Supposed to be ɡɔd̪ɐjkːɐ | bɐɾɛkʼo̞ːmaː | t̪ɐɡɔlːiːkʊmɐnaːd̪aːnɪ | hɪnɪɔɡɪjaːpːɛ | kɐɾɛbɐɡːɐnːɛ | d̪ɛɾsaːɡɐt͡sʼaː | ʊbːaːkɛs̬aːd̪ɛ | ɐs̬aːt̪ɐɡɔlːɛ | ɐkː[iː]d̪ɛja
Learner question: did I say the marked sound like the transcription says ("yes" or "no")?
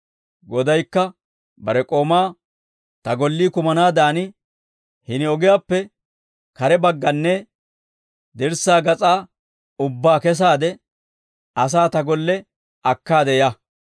no